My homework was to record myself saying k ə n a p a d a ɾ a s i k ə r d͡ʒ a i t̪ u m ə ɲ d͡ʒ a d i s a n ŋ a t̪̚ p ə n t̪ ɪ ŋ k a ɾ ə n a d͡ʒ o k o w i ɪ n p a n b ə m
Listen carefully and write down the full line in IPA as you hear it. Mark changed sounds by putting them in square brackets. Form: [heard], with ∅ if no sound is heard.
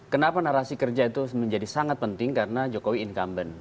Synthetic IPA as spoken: k ə n a p a [n] a ɾ a s i k ə r d͡ʒ a i t̪ u m ə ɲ d͡ʒ a d i s a [∅] ŋ a t̪̚ p ə n t̪ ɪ ŋ k a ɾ ə n a d͡ʒ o k o w i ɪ n [k] a [m] b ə [n]